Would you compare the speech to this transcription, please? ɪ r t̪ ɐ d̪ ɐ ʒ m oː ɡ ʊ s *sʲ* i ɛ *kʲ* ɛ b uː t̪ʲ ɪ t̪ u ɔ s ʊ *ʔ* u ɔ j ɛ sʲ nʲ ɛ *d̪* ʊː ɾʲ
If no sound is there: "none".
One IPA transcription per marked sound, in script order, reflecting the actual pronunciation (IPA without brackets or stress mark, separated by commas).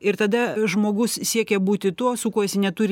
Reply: sʲ, kʲ, k, t̪